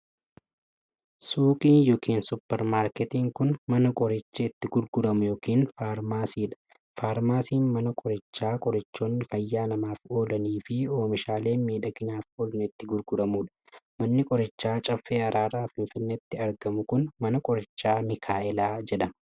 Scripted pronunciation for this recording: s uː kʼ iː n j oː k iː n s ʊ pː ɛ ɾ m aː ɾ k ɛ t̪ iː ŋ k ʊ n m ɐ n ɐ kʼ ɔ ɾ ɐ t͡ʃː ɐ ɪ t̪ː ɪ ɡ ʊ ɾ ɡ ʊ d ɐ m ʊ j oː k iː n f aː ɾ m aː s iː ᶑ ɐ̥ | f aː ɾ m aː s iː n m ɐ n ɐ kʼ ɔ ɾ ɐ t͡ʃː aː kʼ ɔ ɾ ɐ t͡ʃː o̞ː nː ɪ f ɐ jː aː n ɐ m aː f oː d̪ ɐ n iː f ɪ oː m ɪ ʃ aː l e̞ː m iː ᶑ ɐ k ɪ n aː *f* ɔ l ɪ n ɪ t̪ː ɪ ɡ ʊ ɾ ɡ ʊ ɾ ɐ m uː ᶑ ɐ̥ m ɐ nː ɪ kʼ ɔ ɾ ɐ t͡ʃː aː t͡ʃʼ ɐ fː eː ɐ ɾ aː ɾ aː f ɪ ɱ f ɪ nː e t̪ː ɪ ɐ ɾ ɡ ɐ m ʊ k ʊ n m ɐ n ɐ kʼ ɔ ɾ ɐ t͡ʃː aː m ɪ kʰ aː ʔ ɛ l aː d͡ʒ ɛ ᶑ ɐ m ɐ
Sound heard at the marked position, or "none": f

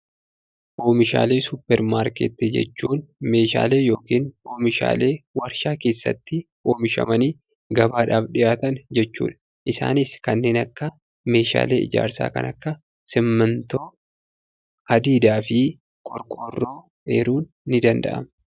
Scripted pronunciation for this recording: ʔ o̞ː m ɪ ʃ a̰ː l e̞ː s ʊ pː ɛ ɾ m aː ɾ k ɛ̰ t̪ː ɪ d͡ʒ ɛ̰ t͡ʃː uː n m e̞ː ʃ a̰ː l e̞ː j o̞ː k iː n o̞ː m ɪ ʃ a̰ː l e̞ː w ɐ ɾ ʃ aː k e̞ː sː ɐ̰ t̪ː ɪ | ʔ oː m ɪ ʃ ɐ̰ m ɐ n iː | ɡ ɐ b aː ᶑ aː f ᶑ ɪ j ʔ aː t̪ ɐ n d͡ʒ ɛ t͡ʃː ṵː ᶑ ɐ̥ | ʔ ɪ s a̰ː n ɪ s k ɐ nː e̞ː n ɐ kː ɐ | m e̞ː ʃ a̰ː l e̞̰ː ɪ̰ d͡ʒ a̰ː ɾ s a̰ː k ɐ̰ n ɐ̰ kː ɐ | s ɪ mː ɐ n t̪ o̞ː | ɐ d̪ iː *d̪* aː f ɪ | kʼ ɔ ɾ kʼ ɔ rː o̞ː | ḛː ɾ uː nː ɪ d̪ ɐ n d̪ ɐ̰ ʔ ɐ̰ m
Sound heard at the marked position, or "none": d̪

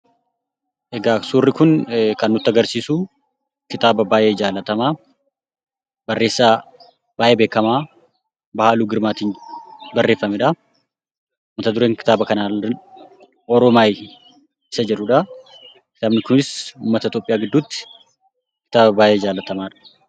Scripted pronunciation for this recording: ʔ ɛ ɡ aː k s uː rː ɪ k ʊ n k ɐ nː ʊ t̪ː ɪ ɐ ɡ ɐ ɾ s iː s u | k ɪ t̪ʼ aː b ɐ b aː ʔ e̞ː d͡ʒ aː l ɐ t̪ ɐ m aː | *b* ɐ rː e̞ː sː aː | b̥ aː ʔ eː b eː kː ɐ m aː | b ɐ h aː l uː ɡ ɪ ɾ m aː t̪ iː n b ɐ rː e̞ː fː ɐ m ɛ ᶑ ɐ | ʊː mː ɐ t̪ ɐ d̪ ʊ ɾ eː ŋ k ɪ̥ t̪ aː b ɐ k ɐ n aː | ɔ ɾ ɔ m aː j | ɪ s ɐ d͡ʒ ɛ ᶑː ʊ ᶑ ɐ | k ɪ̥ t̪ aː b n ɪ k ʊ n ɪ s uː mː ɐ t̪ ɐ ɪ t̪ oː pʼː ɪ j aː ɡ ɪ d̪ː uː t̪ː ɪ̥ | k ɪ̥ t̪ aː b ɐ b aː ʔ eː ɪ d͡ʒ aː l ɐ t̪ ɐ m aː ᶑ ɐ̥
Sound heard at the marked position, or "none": b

